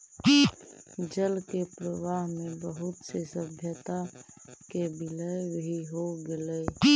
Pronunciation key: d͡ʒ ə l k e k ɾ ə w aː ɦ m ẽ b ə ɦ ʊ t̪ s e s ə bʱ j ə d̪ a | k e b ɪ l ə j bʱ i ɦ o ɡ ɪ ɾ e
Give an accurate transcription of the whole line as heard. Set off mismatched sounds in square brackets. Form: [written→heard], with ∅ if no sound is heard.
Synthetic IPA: d͡ʒ ə l k e [k→p] ɾ ə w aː ɦ m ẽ b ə ɦ ʊ t̪ s e s ə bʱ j ə [d̪→t̪] a | k e b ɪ l ə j bʱ i ɦ o ɡ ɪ [ɾ→l] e